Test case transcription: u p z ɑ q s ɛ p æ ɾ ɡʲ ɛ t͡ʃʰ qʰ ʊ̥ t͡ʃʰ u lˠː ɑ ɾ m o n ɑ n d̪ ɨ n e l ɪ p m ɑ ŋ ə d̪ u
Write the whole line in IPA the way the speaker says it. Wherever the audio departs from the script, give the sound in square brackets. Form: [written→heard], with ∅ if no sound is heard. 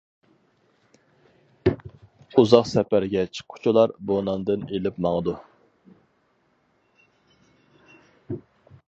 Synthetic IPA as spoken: u [p→∅] z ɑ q s ɛ p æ ɾ ɡʲ ɛ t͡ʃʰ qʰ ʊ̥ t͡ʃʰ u [lˠː→lˠ] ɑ ɾ [m→b] o n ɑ n d̪ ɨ n e l ɪ p m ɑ ŋ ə d̪ u